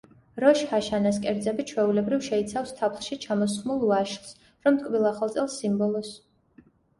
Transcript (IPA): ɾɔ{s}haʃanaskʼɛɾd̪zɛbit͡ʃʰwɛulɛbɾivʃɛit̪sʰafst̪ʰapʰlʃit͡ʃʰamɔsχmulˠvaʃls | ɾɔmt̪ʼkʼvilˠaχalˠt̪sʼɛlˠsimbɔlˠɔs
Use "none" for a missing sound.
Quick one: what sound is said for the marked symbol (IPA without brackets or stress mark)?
ʃ